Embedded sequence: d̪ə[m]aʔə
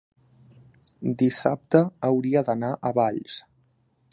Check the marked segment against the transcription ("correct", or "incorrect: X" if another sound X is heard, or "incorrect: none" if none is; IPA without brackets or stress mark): incorrect: n